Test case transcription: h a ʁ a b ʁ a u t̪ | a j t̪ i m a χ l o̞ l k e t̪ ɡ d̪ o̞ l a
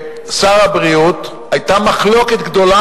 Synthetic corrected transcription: s a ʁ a b ʁ i u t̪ | a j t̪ a m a χ l o̞ k e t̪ ɡ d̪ o̞ l a